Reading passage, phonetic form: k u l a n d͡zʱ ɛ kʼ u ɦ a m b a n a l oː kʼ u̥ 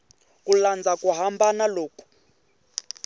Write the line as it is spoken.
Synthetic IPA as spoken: k u l a n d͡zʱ a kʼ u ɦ a m b a n a l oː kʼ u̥